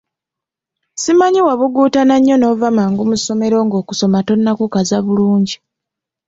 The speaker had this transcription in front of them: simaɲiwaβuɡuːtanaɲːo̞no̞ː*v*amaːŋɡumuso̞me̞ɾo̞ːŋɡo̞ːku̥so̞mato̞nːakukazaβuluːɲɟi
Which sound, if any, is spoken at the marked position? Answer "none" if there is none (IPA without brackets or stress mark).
v